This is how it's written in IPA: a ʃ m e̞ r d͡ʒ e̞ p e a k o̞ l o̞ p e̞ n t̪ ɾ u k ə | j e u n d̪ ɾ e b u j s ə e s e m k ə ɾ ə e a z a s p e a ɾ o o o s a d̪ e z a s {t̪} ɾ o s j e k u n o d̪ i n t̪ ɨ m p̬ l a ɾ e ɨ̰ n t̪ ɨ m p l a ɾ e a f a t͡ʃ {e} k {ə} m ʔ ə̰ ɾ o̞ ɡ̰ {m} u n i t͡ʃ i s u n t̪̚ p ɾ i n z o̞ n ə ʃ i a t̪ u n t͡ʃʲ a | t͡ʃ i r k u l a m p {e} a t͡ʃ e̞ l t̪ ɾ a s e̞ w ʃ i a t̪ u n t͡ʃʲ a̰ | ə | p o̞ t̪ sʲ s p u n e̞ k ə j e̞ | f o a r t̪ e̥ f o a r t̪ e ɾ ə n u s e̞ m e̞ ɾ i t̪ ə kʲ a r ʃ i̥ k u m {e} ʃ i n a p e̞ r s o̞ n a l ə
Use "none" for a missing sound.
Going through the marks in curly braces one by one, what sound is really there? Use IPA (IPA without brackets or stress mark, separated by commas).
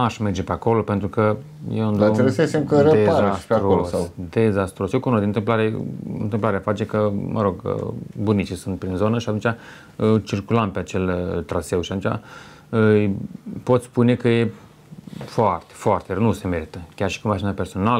t̪, e, ə, b, e, a